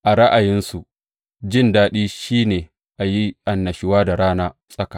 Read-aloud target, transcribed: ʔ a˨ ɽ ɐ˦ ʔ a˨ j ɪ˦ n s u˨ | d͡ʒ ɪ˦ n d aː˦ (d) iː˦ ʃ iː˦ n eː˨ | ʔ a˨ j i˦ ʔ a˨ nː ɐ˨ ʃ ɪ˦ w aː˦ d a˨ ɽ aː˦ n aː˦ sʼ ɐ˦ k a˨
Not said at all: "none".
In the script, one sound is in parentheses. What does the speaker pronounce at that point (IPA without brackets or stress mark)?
ɗ